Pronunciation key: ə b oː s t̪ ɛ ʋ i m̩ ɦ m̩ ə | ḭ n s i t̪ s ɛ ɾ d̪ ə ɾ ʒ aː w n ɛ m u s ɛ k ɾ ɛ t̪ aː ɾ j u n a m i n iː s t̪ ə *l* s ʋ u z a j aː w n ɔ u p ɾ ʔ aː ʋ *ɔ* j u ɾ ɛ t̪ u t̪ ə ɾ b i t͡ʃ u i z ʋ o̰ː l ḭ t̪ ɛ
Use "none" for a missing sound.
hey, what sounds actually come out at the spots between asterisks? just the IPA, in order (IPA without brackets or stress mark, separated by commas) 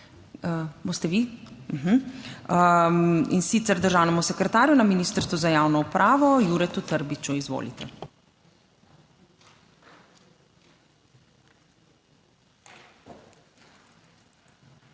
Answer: ɾ, ɔ